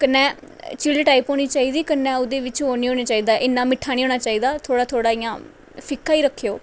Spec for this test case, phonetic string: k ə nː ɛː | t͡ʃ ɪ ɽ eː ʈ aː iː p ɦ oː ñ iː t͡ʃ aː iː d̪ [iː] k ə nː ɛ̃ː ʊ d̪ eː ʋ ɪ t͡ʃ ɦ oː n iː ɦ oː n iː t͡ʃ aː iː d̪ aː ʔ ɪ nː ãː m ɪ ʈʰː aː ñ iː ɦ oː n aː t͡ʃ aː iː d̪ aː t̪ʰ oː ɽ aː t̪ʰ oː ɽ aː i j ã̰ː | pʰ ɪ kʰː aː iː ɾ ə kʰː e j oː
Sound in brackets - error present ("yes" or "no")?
no